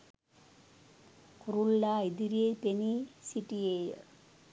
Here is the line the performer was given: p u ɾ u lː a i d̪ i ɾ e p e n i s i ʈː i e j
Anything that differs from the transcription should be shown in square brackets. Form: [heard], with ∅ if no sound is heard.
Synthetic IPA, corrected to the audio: [k] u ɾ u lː a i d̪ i ɾ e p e n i s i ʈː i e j